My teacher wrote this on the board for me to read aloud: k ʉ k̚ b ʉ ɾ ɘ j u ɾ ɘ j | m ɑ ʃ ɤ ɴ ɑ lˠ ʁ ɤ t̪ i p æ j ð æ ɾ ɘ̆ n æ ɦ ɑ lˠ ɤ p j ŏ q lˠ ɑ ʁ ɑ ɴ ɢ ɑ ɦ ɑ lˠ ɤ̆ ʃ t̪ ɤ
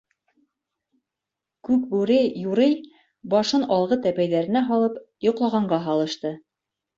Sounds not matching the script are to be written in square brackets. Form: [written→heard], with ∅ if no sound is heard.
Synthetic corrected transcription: k ʉ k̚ b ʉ ɾ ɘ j u ɾ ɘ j | [m→b] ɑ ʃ ɤ [ɴ→n] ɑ lˠ ʁ ɤ t̪ [i→æ] p æ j ð æ ɾ ɘ̆ n æ ɦ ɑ lˠ ɤ p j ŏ q lˠ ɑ ʁ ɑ ɴ ɢ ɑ ɦ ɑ lˠ ɤ̆ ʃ t̪ ɤ